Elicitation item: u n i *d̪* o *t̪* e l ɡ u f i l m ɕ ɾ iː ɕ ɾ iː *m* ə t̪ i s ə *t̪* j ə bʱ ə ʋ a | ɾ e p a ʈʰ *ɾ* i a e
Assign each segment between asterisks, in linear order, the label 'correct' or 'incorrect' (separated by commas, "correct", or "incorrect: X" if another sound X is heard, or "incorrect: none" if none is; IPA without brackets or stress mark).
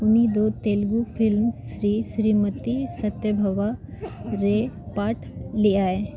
correct, correct, correct, correct, incorrect: l